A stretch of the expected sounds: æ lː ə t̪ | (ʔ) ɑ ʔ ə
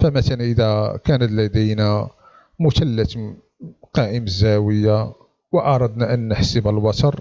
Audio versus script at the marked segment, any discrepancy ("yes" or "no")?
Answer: yes